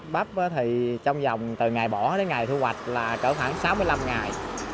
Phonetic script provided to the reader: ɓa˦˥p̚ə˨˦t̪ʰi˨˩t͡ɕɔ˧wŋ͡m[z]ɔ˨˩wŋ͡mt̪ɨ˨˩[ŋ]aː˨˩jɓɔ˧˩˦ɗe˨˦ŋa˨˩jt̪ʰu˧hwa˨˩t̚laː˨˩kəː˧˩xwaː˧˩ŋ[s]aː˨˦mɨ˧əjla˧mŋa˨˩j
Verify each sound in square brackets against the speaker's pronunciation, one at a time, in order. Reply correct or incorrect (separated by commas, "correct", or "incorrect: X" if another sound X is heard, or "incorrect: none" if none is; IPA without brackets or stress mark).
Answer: correct, correct, correct